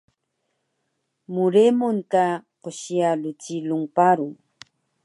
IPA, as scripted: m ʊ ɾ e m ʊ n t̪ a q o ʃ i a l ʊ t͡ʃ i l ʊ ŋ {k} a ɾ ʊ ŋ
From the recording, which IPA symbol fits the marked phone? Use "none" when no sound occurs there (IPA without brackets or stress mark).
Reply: p